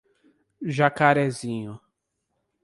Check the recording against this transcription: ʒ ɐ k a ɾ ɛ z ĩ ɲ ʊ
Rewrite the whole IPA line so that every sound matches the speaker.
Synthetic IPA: ʒ a k a ɾ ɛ z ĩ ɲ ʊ